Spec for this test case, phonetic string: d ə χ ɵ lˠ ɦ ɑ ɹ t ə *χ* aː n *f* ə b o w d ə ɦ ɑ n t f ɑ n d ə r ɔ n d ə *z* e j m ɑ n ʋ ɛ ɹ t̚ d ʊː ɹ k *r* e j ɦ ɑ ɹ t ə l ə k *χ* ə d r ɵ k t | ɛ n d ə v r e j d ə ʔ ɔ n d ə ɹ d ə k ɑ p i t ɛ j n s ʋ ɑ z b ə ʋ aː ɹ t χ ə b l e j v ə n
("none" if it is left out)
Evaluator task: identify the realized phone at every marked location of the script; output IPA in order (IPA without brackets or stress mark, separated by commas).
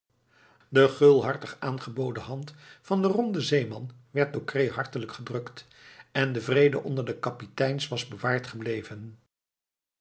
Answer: χ, χ, z, r, χ